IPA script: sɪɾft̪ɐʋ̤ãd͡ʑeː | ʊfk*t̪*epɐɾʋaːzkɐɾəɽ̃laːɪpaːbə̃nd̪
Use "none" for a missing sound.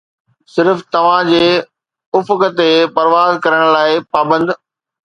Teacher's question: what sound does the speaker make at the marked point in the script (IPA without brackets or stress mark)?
t̪